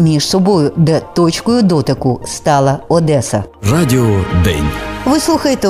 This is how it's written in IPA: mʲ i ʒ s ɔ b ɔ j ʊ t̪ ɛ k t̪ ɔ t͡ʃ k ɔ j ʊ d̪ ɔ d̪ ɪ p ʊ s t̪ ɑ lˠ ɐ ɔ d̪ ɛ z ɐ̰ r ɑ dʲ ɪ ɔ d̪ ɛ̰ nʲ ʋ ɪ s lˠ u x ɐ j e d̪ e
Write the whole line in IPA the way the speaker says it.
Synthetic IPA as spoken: mʲ i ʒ s ɔ b ɔ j ʊ d̪ ɛ t̪ ɔ t͡ʃ k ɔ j ʊ d̪ ɔ t̪ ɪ k ʊ s t̪ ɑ lˠ ɐ ɔ d̪ ɛ s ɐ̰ r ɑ dʲ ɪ ɔ d̪ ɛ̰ nʲ ʋ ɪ s lˠ u x ɐ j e t̪ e